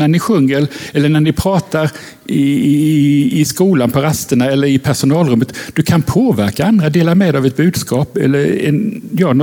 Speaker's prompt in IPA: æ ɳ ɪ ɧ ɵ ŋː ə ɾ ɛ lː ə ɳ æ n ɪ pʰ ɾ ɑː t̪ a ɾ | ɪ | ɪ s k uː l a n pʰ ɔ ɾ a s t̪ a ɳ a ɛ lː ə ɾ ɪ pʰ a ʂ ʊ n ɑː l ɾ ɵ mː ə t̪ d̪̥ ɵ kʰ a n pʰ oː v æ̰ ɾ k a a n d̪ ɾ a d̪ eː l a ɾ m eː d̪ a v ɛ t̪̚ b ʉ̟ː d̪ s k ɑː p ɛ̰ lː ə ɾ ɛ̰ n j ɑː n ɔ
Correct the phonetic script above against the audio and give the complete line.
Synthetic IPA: æ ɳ ɪ ɧ ɵ ŋː ə ɾ ɛ lː ə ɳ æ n ɪ pʰ ɾ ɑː t̪ a ɾ | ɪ | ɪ s k uː l a n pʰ ɔ ɾ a s t̪ ə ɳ a ɛ lː ə ɾ ɪ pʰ æ ʂ ʊ n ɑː l ɾ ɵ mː ə t̪ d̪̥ ɵ kʰ a n pʰ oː v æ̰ ɾ k a a n d̪ ɾ a d̪ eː l a ɾ m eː d̪ a v ɛ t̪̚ b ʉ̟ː d̪ s k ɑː p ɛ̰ lː ə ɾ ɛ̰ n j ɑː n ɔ